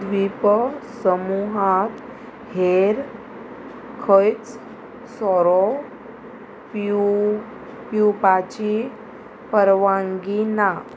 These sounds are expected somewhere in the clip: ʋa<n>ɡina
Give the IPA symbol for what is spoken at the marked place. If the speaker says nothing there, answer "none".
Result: ŋ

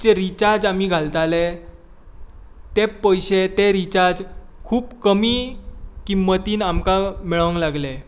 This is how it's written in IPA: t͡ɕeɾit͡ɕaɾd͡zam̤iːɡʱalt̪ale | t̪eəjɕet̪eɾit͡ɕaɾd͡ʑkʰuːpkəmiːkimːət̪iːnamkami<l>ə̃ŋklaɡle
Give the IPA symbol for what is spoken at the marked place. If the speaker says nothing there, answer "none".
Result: ɭ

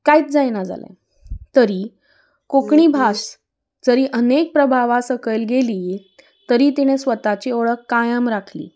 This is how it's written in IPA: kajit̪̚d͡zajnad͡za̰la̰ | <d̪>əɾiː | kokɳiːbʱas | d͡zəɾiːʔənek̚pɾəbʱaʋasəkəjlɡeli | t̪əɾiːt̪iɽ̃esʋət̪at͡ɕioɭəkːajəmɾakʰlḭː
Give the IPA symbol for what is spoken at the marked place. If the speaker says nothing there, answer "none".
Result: t̪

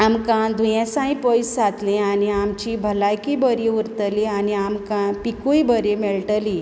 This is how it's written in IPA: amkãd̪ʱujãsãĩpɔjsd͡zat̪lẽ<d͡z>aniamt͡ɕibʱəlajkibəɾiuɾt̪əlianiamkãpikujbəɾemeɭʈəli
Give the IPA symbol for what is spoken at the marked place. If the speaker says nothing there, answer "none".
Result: none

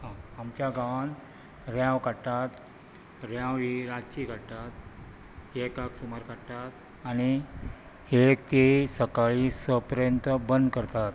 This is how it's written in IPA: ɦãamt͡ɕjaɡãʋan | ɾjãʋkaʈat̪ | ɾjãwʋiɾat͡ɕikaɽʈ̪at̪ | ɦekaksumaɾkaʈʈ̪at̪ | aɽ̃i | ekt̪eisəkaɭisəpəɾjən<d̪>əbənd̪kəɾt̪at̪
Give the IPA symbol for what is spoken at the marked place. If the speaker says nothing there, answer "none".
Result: t̪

